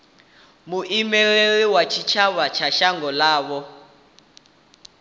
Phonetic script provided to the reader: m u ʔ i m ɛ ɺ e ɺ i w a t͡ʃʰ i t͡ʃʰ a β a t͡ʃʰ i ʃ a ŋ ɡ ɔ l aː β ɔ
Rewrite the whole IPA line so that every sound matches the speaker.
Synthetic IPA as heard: m u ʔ i m ɛ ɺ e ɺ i w a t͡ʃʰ i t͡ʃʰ a β a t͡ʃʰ a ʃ a ŋ ɡ ɔ l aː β ɔ